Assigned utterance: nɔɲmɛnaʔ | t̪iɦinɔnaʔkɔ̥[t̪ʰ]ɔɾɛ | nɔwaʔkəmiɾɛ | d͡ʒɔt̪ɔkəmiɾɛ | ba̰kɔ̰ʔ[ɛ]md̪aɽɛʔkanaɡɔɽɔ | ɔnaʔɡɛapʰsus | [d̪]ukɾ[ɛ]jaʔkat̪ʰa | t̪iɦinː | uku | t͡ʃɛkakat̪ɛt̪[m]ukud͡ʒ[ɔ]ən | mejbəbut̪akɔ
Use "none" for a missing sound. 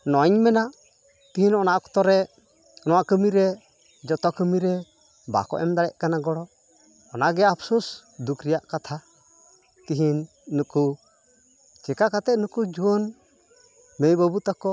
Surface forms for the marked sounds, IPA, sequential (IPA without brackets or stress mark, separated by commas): t̪, ɛ, d̪, i, n, u